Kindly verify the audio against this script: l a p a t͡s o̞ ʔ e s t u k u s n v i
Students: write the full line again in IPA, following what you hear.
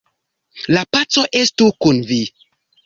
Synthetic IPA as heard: l a p a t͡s o̞ ʔ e s t u k u n v i